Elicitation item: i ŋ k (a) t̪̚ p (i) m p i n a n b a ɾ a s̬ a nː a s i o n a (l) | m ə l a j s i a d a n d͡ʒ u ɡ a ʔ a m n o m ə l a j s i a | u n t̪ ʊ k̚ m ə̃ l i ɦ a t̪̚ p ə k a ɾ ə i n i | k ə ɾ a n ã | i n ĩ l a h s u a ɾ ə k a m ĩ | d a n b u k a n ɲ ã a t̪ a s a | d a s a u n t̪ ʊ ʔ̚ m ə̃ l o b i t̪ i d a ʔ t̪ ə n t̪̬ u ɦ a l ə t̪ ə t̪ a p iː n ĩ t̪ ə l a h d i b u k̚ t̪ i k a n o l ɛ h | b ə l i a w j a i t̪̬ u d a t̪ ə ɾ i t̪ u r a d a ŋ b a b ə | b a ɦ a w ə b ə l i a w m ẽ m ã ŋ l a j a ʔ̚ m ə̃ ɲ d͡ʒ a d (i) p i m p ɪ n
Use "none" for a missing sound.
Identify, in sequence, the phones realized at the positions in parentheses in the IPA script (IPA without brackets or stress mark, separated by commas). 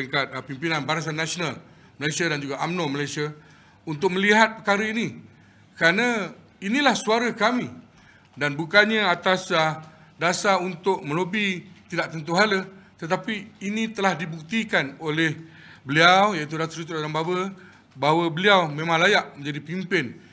a, i, l, i